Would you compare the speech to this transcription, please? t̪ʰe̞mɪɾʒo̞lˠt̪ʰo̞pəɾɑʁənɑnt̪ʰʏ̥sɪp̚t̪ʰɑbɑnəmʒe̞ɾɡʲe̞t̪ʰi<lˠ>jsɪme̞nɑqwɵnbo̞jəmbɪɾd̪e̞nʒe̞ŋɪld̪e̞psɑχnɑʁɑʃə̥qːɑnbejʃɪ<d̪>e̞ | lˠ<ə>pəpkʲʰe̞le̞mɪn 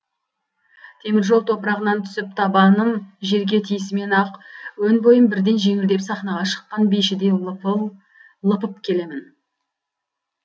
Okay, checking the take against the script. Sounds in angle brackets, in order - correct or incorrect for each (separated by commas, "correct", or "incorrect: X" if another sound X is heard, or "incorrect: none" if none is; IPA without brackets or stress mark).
incorrect: none, correct, correct